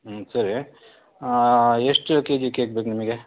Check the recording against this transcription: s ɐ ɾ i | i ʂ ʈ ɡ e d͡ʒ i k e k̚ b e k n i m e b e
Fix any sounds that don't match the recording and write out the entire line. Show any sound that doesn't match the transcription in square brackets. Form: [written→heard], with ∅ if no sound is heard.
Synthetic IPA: s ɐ ɾ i | [i→e] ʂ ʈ [ɡ→k] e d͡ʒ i k e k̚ b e k n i m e [b→ɡ] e